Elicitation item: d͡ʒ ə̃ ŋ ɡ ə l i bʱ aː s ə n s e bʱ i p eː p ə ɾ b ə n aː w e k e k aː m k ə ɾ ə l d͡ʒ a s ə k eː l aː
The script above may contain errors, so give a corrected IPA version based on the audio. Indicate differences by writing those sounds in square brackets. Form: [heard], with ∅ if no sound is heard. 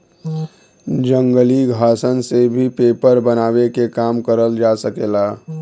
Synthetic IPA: d͡ʒ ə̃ ŋ ɡ ə l i [ɡʱ] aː s ə n s e bʱ i p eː p ə ɾ b ə n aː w e k e k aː m k ə ɾ ə l d͡ʒ a s ə k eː l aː